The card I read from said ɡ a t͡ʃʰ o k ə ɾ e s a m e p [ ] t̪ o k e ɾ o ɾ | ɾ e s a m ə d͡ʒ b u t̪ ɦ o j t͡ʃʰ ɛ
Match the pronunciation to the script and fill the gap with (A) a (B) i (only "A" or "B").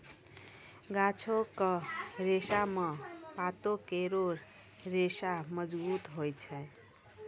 A